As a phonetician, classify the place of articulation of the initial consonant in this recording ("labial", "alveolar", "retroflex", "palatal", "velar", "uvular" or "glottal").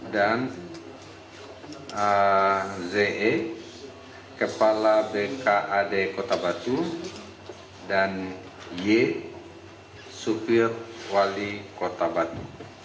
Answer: alveolar